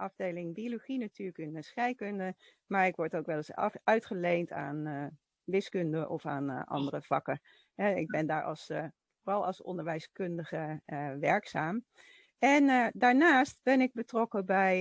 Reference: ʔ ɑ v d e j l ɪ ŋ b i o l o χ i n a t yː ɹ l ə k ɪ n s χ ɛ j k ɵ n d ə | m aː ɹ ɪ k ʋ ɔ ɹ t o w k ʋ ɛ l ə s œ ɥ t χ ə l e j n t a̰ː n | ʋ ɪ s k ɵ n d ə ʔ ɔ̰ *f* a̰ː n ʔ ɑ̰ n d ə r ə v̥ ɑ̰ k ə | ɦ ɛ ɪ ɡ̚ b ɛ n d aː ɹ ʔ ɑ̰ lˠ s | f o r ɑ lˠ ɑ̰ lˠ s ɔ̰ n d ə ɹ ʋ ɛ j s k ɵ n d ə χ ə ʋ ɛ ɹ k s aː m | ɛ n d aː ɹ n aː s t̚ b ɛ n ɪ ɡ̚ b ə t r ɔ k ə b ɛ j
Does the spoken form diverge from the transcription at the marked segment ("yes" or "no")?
no